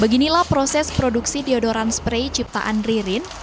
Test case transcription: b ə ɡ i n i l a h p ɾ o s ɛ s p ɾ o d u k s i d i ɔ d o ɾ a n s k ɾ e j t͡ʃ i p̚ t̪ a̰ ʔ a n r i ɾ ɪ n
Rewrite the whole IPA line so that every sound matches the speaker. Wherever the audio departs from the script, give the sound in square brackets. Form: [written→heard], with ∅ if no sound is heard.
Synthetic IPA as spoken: b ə ɡ i n i l a h p ɾ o s ɛ s p ɾ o d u k s i d i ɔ d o ɾ a n s [k→p] ɾ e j t͡ʃ i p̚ t̪ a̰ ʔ a n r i ɾ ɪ n